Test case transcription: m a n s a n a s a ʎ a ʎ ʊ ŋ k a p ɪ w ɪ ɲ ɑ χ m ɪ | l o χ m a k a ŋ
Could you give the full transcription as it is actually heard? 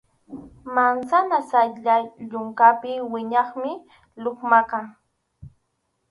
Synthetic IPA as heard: m a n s a n a s a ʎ a ʎ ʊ ŋ k a p ɪ w ɪ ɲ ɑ χ m ɪ | l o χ m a k a ŋ